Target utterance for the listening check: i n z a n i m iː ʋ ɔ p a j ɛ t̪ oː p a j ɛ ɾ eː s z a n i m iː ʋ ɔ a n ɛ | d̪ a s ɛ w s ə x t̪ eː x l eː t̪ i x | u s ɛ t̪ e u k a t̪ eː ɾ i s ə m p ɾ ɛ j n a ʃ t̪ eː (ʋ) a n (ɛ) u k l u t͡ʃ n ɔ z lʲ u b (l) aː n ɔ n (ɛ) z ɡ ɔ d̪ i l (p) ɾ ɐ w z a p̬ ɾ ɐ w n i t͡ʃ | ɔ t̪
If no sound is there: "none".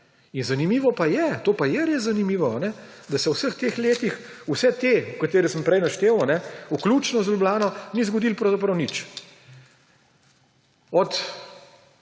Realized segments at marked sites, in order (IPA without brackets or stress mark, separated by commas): w, ɛ, l, i, p